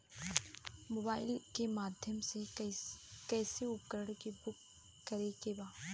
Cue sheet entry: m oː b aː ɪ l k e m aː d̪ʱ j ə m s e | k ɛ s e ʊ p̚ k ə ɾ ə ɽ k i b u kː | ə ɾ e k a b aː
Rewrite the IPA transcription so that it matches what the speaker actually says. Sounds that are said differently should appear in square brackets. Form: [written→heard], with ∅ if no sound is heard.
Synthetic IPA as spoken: m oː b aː ɪ l k e m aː d̪ʱ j ə m s e | k [ɛ→ɛː] s e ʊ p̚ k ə ɾ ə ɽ k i b [u→ʊ] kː | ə ɾ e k [a→e] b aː